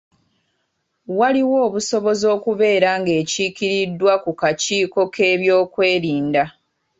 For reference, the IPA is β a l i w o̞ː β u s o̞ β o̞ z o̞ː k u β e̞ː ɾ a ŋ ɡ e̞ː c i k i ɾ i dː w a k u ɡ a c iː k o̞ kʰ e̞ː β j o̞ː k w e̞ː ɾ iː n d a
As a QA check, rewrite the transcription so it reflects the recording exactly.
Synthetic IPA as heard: w a l i w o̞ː β u s o̞ β o̞ z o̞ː k u β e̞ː ɾ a ŋ ɡ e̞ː c i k i ɾ i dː w a k u k a c iː k o̞ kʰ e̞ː β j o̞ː k w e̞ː ɾ iː n d a